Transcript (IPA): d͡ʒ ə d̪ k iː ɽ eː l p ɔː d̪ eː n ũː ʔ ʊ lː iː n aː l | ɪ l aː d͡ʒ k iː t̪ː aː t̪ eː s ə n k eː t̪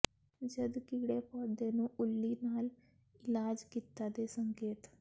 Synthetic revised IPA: d͡ʒ ə d̪ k iː ɽ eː p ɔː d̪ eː n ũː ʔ ʊ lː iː n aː l | ɪ l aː d͡ʒ k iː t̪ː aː d̪ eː s ə ŋ k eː t̪